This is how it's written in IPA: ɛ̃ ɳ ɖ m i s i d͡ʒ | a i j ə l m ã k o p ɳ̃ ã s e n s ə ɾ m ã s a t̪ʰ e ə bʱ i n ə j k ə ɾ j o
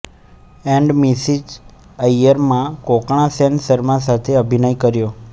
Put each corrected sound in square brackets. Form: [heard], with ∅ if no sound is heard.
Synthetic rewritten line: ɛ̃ ɳ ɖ m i s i d͡ʒ | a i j ə [ɾ] m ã k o [k] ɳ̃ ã s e n s ə ɾ m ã s a t̪ʰ e ə bʱ i n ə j k ə ɾ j o